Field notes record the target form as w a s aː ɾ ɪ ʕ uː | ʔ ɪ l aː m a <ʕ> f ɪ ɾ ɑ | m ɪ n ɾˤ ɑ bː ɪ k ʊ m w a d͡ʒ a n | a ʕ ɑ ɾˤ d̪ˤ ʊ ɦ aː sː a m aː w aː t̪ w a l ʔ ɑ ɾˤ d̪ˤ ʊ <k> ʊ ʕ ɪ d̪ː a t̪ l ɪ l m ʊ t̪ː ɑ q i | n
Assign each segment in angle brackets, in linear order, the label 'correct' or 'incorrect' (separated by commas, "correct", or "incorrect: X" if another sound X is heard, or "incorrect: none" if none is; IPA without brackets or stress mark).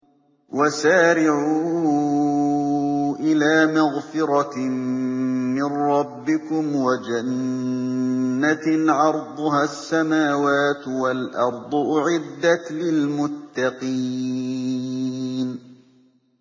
incorrect: ɣ, incorrect: ʔ